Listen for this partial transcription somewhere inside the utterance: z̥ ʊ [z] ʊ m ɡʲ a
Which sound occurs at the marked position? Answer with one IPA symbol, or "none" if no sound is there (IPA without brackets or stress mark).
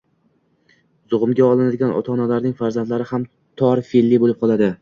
ʁ